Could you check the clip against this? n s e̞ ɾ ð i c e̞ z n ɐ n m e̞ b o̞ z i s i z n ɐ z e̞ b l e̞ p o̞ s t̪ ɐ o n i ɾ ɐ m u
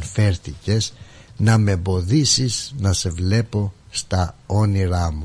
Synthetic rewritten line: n f e̞ ɾ θ i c e̞ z n ɐ m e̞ b o̞ ð i s i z n ɐ s e̞ v l e̞ p o̞ s t̪ ɐ o n i ɾ ɐ m u